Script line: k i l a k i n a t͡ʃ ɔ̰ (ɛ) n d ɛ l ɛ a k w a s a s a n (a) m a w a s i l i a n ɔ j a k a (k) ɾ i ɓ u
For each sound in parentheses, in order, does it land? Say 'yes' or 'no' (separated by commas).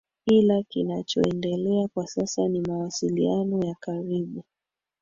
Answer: yes, no, no